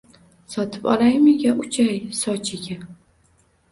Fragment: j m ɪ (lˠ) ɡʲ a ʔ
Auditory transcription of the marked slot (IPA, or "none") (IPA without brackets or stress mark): none